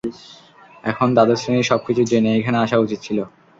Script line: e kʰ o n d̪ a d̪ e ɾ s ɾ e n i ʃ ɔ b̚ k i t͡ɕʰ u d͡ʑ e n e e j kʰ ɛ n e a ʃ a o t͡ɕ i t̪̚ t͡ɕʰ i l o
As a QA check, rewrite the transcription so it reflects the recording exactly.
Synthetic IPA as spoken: ɛ kʰ o n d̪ a d̪ e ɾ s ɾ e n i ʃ ɔ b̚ k i t͡ɕʰ u d͡ʑ e n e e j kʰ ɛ n e a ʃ a u t͡ɕ i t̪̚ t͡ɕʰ i l o